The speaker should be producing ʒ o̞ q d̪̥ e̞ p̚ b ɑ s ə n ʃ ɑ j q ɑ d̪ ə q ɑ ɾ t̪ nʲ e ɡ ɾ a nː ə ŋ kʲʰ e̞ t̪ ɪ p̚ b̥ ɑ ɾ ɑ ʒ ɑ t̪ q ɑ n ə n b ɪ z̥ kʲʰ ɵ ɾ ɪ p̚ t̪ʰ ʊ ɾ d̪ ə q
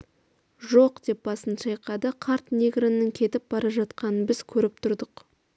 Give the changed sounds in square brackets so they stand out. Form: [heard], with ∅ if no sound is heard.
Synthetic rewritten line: ʒ o̞ q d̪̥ e̞ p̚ b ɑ s ə n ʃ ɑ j q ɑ d̪ ə [qʰ] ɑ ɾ t̪ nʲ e ɡ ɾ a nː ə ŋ kʲʰ e̞ t̪ ɪ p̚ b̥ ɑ ɾ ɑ ʒ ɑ t̪ q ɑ n ə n b ɪ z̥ kʲʰ ɵ ɾ ɪ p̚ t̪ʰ ʊ ɾ d̪ ə q